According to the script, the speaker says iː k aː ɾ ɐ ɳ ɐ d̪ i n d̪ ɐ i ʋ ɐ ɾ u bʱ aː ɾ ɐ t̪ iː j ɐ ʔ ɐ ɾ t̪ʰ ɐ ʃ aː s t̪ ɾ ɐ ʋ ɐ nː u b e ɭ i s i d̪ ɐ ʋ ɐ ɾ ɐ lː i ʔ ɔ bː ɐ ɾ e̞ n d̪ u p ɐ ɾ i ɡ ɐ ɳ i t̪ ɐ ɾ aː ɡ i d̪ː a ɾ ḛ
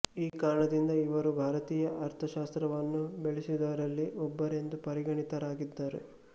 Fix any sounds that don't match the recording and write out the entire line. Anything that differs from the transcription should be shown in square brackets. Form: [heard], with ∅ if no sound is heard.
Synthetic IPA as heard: iː k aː ɾ ɐ ɳ ɐ d̪ i n d̪ ɐ i ʋ ɐ ɾ u bʱ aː ɾ ɐ t̪ iː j ɐ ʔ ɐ ɾ t̪ʰ ɐ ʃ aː s t̪ ɾ ɐ ʋ ɐ nː u b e ɭ i s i d̪ ɐ ʋ ɐ ɾ ɐ lː i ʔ ɔ bː ɐ ɾ e̞ n d̪ u p ɐ ɾ i ɡ ɐ ɳ i t̪ ɐ ɾ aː ɡ i d̪ː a ɾ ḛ